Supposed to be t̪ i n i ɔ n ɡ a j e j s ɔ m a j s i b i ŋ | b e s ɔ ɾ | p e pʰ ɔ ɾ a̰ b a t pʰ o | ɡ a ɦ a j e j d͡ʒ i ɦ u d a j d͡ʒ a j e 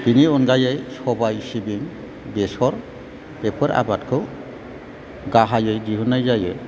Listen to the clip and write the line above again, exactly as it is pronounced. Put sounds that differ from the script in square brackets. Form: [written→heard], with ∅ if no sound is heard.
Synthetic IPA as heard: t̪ i n i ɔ n ɡ a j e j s ɔ [m→b] a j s i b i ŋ | b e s ɔ ɾ | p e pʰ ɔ ɾ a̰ b a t [pʰ→kʰ] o | ɡ a ɦ a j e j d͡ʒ i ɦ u [d→n] a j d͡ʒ a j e